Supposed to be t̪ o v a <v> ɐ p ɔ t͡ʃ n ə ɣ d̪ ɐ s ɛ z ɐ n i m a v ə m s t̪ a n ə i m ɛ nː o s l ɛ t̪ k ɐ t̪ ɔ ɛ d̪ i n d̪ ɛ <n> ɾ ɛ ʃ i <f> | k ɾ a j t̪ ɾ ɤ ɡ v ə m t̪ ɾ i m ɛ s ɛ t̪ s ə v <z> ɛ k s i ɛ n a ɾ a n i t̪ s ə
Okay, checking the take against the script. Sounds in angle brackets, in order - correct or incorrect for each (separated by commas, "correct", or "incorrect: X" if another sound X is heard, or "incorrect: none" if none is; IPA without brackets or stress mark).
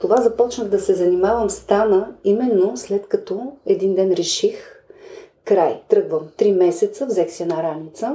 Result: incorrect: z, correct, incorrect: x, correct